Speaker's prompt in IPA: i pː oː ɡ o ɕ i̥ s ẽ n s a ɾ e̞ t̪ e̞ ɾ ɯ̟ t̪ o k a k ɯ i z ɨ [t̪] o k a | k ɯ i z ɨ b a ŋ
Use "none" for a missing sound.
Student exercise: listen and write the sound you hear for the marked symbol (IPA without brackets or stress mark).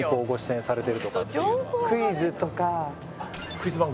t̪